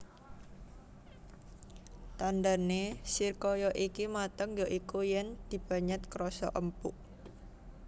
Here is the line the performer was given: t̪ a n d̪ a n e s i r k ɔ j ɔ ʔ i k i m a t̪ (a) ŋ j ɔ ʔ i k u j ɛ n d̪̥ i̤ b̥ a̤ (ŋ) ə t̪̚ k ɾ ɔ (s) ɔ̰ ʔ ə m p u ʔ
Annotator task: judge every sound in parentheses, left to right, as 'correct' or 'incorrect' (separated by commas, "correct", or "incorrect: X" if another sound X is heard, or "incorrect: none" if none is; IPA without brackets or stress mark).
incorrect: ə, incorrect: ɲ, correct